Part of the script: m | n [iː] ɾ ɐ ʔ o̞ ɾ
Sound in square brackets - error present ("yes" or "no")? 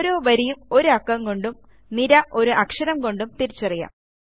yes